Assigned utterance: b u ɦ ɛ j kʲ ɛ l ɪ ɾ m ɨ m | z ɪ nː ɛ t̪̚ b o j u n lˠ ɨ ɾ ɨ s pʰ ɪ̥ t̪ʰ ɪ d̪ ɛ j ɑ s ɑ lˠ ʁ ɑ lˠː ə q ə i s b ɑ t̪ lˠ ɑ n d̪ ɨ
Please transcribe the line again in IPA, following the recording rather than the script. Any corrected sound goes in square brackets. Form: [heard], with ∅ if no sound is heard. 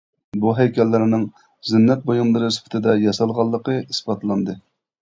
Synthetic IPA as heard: b u ɦ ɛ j kʲ ɛ [lː] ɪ ɾ [n] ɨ [ŋ] | z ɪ nː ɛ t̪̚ b o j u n lˠ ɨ ɾ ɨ s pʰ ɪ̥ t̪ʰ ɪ d̪ ɛ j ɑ s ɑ lˠ ʁ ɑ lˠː ə q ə i s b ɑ t̪ lˠ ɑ n d̪ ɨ